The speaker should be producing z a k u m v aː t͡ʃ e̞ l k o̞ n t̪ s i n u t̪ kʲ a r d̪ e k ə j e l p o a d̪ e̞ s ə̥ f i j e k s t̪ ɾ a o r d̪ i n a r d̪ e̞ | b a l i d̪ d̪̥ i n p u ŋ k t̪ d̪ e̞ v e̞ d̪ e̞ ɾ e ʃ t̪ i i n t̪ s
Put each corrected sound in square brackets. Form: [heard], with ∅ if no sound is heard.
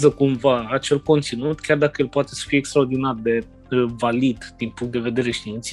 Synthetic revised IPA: z [ə] k u m v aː t͡ʃ e̞ l k o̞ n t̪ s i n u t̪ kʲ a r d̪ [a] k ə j e l p o a [t̪] e̞ s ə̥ f i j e k s t̪ ɾ a o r d̪ i n a r d̪ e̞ | [v] a l i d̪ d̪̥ i n p u ŋ k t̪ d̪ e̞ v e̞ d̪ e̞ ɾ e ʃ t̪ i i n t̪ s